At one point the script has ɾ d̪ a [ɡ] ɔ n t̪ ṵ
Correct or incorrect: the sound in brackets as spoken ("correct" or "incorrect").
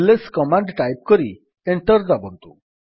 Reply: incorrect